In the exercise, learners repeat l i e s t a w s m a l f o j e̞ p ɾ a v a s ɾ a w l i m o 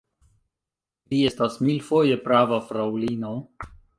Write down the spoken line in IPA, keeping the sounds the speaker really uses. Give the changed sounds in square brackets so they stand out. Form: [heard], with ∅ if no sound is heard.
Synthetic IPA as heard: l i e s t a [∅] s m [i] l f o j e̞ p ɾ a v a [f] ɾ a w l i [n] o